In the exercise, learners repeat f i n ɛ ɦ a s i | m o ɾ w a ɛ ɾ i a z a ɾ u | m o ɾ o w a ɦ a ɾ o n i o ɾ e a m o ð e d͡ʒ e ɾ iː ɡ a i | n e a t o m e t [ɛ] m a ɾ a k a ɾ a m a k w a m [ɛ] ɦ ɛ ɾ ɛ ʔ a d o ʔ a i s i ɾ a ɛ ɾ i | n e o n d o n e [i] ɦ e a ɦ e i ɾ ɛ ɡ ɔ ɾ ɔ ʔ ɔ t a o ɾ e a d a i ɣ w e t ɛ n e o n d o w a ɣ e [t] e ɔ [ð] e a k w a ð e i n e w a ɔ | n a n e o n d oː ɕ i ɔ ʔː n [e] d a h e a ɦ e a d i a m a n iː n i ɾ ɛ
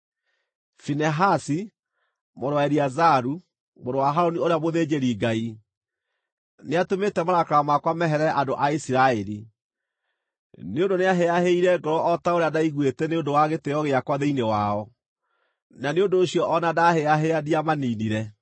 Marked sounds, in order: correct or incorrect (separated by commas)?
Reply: correct, correct, incorrect, correct, incorrect, incorrect